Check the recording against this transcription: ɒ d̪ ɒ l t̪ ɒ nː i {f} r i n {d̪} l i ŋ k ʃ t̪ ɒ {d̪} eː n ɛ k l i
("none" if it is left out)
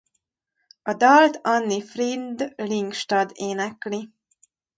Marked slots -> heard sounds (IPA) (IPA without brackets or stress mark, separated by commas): f, d̪, d̪